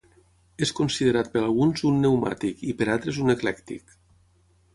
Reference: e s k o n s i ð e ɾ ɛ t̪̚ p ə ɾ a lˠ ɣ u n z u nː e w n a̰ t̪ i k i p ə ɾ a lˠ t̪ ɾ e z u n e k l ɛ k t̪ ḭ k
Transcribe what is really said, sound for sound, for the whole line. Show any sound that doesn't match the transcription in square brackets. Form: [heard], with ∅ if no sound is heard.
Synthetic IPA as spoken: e s k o n s i ð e ɾ [a] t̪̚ p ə ɾ a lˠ ɣ u n z u nː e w [m] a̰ t̪ i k i p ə ɾ a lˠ t̪ ɾ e z u n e k l ɛ k t̪ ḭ k